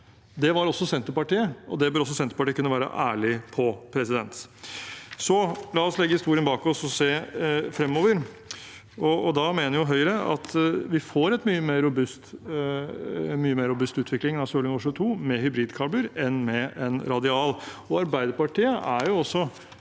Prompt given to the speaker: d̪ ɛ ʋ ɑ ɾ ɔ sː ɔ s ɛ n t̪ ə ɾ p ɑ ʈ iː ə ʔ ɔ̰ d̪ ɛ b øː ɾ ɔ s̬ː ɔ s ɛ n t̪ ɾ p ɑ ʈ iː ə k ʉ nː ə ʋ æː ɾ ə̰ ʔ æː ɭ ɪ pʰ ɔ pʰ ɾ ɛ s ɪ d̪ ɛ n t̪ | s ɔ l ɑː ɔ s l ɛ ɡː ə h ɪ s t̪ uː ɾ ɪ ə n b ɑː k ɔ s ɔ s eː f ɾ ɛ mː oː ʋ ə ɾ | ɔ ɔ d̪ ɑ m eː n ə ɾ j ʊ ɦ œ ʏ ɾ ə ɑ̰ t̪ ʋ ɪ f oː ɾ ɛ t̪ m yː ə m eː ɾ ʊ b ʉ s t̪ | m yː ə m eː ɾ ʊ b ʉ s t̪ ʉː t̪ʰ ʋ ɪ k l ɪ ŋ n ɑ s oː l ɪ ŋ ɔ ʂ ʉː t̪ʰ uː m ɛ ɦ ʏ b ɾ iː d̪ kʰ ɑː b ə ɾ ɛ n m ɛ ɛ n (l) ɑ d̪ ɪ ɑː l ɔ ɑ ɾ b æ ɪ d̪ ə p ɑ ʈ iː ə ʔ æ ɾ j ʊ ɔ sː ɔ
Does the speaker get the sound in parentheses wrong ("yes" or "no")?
yes